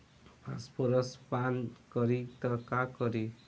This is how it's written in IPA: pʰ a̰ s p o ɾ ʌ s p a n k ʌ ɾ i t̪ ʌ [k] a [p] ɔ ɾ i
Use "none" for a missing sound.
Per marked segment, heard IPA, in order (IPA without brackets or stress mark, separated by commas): k, k